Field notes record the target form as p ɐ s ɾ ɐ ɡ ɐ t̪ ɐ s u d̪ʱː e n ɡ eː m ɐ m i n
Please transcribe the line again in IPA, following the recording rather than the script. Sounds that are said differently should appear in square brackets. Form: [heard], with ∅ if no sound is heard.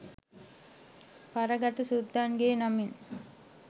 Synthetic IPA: p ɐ [∅] ɾ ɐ ɡ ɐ t̪ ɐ s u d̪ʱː [a] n ɡ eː [n] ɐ m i n